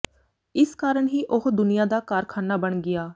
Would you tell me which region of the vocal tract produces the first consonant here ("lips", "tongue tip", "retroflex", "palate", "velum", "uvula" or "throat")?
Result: tongue tip